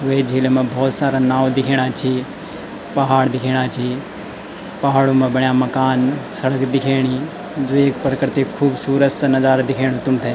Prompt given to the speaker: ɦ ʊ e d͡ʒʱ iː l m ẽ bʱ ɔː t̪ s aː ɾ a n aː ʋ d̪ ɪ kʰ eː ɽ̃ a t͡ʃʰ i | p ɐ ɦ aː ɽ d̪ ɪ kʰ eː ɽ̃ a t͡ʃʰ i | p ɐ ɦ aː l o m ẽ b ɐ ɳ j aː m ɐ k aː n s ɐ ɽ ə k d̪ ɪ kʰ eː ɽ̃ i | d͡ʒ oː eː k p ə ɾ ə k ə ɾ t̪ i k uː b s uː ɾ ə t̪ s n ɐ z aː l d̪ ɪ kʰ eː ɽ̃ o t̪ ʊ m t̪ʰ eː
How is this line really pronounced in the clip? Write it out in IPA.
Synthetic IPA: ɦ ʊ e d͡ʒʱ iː l m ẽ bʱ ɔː t̪ s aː ɾ a n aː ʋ d̪ ɪ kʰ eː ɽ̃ a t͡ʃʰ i | p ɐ ɦ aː ɽ d̪ ɪ kʰ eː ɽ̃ a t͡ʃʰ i | p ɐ ɦ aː ɽ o m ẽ b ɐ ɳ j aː m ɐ k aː n s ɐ ɽ ə k d̪ ɪ kʰ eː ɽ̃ i | d͡ʒ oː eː k p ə ɾ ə k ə ɾ t̪ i kʰ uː b s uː ɾ ə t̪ s n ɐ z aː ɾ d̪ ɪ kʰ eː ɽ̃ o t̪ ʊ m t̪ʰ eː